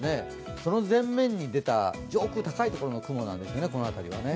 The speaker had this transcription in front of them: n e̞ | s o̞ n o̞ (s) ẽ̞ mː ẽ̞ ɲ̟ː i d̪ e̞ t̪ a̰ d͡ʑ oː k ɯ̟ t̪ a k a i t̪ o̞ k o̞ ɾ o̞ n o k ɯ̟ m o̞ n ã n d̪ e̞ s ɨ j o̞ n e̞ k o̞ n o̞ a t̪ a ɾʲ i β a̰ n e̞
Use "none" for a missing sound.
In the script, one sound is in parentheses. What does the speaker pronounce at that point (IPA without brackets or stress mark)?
z